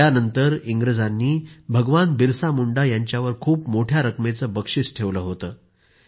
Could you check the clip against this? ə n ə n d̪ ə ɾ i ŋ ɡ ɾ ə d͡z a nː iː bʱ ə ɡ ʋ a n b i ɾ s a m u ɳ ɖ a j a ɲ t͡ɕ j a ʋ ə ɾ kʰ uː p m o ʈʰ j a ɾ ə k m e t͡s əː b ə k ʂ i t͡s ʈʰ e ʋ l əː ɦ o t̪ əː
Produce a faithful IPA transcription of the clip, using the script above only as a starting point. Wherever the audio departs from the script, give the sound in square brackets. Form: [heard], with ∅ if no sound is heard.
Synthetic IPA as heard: [a] n ə n [t̪] ə ɾ i ŋ ɡ ɾ ə d͡z a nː iː bʱ ə ɡ ʋ a n b i ɾ s a m u ɳ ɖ a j a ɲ t͡ɕ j a ʋ ə ɾ kʰ uː p m o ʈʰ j a ɾ ə k m e t͡s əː b ə k ʂ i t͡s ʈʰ e ʋ l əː ɦ o t̪ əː